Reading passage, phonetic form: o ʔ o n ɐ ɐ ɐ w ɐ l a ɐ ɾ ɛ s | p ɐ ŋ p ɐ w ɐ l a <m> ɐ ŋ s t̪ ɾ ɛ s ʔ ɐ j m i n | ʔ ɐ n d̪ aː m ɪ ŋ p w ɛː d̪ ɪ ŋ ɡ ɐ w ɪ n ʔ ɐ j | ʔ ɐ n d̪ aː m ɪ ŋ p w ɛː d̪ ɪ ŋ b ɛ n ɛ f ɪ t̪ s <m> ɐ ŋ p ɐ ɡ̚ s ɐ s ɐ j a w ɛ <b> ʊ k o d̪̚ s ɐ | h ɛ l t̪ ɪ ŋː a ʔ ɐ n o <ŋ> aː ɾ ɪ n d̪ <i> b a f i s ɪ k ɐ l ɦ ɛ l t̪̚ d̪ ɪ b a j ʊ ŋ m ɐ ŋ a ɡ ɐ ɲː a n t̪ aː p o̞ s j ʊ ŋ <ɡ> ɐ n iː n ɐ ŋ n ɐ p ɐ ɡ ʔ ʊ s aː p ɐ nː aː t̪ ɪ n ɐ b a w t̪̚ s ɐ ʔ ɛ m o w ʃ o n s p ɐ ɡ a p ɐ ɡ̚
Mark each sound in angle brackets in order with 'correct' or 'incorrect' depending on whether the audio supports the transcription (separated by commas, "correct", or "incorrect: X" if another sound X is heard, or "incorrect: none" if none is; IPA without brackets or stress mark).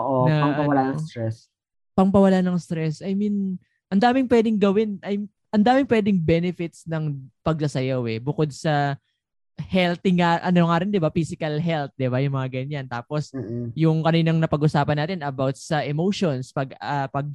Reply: incorrect: n, incorrect: n, correct, correct, incorrect: ɪ, incorrect: k